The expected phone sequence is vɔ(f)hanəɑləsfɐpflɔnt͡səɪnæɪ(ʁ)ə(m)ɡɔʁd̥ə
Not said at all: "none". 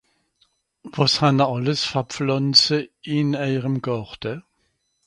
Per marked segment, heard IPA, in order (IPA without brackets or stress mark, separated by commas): s, ʁ, m